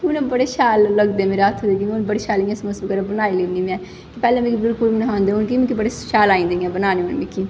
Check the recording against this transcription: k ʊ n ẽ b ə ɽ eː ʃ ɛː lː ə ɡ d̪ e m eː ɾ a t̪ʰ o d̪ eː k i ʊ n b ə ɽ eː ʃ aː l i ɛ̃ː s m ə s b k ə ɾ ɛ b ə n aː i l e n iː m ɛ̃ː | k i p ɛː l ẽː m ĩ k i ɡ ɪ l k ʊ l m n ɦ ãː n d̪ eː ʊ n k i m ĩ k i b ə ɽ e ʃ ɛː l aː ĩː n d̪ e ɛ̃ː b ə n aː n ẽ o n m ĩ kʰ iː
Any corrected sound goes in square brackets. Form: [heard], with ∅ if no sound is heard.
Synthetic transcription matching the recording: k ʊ n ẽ b ə ɽ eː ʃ [aː] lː ə ɡ d̪ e m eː ɾ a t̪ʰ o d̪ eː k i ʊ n b ə ɽ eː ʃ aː l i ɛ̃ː s m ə s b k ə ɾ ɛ b ə n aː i l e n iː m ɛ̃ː | k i p ɛː l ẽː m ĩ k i [b] ɪ l k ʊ l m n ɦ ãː n d̪ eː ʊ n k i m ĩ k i b ə ɽ e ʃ [aː] l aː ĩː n d̪ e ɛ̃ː b ə n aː n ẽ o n m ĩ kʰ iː

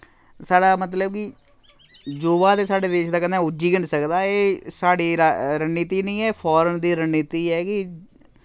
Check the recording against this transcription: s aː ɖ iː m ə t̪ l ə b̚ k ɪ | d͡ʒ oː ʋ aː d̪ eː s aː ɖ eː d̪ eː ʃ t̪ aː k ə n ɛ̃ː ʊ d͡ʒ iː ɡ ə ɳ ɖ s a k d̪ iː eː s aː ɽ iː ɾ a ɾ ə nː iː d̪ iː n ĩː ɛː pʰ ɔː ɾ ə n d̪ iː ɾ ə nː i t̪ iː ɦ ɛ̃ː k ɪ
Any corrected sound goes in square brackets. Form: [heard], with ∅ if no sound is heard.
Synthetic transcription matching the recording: s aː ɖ [aː] m ə t̪ l ə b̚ k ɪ | d͡ʒ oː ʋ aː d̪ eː s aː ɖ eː d̪ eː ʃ [d̪] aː k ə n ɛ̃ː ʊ d͡ʒ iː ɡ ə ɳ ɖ s [ə] k d̪ [aː] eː s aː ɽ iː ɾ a ɾ ə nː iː [t̪] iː n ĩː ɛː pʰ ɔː ɾ ə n d̪ iː ɾ ə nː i t̪ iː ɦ [ɛː] k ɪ

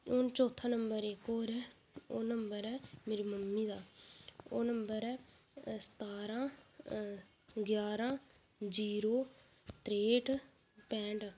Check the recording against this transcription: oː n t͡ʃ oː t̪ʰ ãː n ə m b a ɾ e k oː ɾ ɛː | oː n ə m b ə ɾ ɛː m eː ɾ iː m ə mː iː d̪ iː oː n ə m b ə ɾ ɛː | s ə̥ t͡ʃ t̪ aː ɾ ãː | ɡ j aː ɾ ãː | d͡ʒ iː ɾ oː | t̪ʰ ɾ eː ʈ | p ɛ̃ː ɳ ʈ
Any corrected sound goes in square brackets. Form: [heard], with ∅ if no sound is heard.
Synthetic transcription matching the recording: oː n t͡ʃ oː t̪ʰ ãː n ə m b [ə] ɾ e k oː ɾ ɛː | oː n ə m b ə ɾ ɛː m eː ɾ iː m ə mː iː d̪ [aː] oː n ə m b ə ɾ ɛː | s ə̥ [∅] t̪ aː ɾ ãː | ɡ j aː ɾ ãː | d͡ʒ iː ɾ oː | [t̪] ɾ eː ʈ | p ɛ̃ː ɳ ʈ

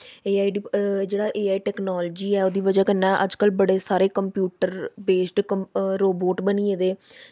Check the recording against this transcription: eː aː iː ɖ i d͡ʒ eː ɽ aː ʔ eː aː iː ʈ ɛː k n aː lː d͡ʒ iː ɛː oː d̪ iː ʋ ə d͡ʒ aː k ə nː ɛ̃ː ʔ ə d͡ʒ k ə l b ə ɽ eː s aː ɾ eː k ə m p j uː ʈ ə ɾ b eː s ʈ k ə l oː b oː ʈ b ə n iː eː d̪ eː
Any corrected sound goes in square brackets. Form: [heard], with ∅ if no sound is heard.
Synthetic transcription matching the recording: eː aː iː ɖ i d͡ʒ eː ɽ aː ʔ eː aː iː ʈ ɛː k n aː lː d͡ʒ iː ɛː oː d̪ iː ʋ ə d͡ʒ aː k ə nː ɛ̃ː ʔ ə d͡ʒ k ə l b ə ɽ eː s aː ɾ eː k ə m p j uː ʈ ə ɾ b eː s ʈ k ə [ɾ] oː b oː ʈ b ə n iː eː d̪ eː

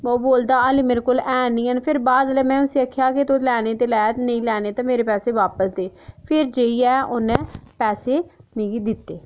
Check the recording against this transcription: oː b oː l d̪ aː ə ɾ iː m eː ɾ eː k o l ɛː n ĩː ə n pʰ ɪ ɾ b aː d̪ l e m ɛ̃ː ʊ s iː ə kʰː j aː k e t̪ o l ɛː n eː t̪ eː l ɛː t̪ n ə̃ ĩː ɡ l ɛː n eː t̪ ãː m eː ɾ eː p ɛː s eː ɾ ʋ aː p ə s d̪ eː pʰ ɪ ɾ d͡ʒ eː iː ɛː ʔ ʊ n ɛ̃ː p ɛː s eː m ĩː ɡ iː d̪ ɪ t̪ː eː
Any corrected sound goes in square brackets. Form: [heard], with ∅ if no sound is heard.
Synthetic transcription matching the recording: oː b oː l d̪ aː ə [l] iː m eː ɾ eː k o l ɛː n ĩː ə n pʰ ɪ ɾ b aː d̪ l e m ɛ̃ː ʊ s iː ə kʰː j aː k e t̪ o l ɛː n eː t̪ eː l ɛː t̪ n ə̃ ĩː [∅] l ɛː n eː t̪ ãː m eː ɾ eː p ɛː s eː [∅] ʋ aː p ə s d̪ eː pʰ ɪ ɾ d͡ʒ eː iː ɛː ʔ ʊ n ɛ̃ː p ɛː s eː m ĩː ɡ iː d̪ ɪ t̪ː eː

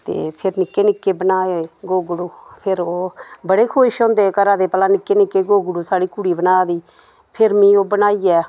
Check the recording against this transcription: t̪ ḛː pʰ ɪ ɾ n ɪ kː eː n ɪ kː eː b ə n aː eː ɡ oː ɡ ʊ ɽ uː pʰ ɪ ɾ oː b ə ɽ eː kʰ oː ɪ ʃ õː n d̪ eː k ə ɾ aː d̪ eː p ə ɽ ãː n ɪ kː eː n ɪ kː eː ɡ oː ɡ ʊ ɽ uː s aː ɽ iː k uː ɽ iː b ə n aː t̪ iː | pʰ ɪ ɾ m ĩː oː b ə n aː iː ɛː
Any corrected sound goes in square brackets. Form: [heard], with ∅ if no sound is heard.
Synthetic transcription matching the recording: t̪ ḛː pʰ ɪ ɾ n ɪ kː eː n ɪ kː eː b ə n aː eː ɡ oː ɡ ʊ ɽ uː pʰ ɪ ɾ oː b ə ɽ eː kʰ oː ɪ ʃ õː n d̪ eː k ə ɾ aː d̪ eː p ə [l] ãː n ɪ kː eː n ɪ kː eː ɡ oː ɡ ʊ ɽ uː s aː ɽ iː k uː ɽ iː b ə n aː [d̪] iː | pʰ ɪ ɾ m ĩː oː b ə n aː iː ɛː

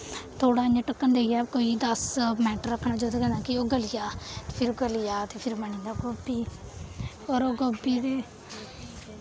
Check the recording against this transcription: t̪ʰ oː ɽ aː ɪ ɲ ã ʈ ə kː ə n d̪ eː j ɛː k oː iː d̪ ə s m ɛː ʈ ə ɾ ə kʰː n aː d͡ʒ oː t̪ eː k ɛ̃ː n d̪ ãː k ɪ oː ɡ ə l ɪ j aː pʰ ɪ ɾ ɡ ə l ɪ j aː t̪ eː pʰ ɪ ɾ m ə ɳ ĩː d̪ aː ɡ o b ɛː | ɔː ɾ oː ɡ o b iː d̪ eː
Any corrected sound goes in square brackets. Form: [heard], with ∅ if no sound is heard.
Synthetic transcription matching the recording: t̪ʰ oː ɽ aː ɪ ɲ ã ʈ ə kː ə n d̪ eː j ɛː k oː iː d̪ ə s m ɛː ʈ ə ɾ ə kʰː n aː d͡ʒ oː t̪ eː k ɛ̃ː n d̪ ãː k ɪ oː ɡ ə l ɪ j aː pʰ ɪ ɾ ɡ ə l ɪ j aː t̪ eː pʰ ɪ ɾ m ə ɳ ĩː d̪ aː ɡ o b [iː] | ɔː ɾ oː ɡ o b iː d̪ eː

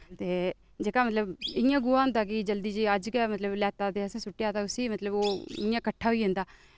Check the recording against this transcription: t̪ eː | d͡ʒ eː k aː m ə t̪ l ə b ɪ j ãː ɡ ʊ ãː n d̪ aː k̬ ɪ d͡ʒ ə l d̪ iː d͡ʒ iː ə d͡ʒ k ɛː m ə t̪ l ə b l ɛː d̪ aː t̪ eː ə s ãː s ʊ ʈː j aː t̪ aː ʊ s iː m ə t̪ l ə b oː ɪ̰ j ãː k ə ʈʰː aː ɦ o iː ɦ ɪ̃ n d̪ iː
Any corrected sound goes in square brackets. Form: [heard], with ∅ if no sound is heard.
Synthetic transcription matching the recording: t̪ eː | d͡ʒ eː k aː m ə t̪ l ə b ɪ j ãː ɡ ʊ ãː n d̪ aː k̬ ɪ d͡ʒ ə l d̪ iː d͡ʒ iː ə d͡ʒ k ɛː m ə t̪ l ə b l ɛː [t̪] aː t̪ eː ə s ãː s ʊ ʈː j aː t̪ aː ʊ s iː m ə t̪ l ə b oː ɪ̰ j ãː k ə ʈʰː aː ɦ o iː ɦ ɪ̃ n d̪ [aː]

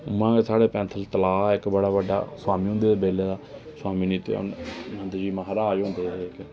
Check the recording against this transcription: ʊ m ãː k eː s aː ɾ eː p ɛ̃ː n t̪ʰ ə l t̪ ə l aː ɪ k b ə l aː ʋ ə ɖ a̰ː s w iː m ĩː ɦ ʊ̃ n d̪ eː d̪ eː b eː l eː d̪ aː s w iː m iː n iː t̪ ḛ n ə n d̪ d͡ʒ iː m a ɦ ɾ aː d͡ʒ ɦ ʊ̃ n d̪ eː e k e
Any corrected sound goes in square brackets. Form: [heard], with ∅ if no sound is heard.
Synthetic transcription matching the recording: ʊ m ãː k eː s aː [ɽ] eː p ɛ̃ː n t̪ʰ ə l t̪ ə l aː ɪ k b ə [ɽ] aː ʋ ə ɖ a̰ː s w [aː] m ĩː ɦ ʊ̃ n d̪ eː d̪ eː b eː l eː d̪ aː s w [aː] m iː n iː t̪ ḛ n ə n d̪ d͡ʒ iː m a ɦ ɾ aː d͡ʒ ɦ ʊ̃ n d̪ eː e k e

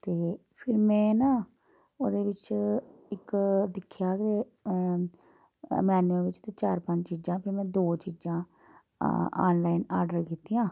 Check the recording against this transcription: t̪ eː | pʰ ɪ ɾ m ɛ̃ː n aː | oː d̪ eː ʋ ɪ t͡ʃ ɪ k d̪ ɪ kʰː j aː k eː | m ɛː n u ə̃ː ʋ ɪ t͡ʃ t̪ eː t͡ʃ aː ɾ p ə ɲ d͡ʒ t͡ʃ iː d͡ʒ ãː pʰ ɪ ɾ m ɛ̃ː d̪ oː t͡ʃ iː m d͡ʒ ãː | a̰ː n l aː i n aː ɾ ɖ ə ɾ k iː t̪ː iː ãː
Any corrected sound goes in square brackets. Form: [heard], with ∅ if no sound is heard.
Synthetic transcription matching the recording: t̪ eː | pʰ ɪ ɾ m ɛ̃ː n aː | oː d̪ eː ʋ ɪ t͡ʃ ɪ k d̪ ɪ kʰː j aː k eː | m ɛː n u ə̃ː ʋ ɪ t͡ʃ t̪ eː t͡ʃ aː ɾ p ə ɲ d͡ʒ t͡ʃ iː d͡ʒ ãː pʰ ɪ ɾ m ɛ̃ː d̪ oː t͡ʃ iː [∅] d͡ʒ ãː | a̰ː n l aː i n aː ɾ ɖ ə ɾ k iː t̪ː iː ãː

